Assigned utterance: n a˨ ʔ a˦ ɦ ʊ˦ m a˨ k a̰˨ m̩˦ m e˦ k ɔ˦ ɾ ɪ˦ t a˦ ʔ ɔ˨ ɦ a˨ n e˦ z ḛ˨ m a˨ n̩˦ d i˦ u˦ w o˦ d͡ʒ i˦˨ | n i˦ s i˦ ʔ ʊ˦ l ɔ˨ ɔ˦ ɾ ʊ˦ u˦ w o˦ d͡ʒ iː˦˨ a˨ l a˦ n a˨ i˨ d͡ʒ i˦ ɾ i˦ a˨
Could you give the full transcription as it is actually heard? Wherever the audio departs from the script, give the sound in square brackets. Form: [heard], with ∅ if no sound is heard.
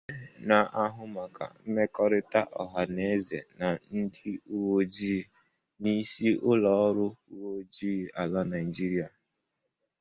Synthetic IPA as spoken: n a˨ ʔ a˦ ɦ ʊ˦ m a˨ k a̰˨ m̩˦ m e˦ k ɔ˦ ɾ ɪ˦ t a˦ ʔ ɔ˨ ɦ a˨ n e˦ z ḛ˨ [n] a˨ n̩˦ d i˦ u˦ w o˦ d͡ʒ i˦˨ | n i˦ s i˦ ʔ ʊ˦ l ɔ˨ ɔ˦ ɾ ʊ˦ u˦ w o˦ d͡ʒ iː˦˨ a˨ l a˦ n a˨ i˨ d͡ʒ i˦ ɾ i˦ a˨